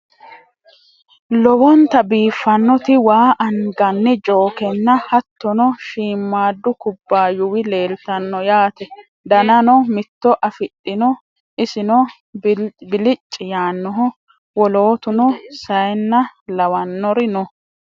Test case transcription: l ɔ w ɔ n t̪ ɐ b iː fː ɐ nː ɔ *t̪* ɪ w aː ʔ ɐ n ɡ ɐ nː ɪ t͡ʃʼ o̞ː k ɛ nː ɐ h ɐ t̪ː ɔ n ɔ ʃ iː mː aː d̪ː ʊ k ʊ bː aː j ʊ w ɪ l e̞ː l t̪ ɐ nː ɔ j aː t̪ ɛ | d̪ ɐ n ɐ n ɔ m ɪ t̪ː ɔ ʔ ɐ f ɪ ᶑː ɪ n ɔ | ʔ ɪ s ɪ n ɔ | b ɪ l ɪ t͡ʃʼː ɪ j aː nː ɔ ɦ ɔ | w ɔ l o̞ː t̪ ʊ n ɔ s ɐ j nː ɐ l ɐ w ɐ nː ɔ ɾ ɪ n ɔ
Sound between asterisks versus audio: correct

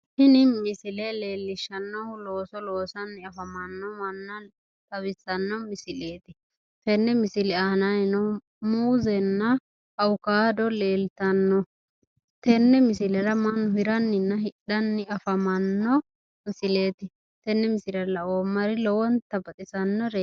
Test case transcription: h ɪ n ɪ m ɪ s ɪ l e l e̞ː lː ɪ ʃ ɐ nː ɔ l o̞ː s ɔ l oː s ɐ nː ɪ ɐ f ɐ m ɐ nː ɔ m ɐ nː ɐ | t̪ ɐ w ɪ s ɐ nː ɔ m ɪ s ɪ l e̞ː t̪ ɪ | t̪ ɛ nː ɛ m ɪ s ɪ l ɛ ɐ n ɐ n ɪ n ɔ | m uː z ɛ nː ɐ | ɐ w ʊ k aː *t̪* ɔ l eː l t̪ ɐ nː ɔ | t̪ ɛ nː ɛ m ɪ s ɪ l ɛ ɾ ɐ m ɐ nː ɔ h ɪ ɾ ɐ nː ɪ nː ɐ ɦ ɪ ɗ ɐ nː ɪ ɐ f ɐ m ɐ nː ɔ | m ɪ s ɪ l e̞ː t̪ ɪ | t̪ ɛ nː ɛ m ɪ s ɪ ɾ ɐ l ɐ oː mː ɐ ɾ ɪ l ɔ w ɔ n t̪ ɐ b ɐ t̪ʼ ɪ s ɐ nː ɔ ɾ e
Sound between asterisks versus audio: incorrect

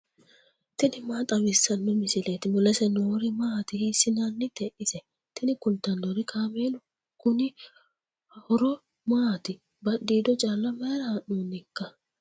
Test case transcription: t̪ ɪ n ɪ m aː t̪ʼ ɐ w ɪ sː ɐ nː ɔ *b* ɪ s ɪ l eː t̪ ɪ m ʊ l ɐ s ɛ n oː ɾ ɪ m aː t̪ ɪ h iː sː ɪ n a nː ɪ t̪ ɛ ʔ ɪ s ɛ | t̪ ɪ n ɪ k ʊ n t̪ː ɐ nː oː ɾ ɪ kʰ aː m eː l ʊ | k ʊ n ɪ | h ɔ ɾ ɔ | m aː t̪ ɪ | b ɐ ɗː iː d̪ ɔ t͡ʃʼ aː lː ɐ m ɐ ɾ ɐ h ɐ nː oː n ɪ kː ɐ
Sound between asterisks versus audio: incorrect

